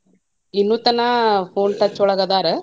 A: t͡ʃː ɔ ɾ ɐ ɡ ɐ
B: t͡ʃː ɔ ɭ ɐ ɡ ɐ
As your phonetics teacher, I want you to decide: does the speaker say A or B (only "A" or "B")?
B